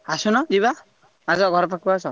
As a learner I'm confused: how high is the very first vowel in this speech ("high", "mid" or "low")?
low